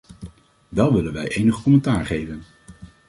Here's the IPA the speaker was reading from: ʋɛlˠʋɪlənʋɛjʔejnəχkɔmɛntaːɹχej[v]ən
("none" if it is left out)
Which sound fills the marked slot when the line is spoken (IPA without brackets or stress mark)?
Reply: v